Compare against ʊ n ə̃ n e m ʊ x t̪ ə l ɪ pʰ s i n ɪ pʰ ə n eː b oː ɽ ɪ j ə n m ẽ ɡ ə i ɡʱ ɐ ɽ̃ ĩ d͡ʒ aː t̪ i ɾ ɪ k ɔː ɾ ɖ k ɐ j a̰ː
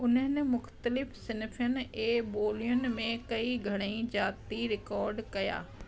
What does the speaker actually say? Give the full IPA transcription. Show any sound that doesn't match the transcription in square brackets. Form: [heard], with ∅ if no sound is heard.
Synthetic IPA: ʊ n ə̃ n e m ʊ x t̪ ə l ɪ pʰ s [ɪ] n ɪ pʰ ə n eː b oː [l] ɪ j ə n m ẽ [k] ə i ɡʱ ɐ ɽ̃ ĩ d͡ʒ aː t̪ i ɾ ɪ k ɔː ɾ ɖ k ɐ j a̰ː